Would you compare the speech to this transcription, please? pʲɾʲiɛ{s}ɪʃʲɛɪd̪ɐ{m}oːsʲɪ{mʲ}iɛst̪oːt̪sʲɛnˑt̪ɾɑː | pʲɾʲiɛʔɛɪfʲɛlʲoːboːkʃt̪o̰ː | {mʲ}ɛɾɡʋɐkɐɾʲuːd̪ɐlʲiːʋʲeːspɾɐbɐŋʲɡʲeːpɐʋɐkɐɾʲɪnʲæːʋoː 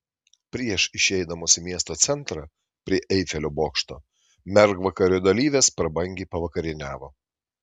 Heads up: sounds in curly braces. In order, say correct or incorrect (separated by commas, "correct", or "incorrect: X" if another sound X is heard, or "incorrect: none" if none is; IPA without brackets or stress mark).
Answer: incorrect: ʃ, correct, correct, correct